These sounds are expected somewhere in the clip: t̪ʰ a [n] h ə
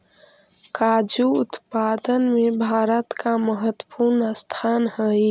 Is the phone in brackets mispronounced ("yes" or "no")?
no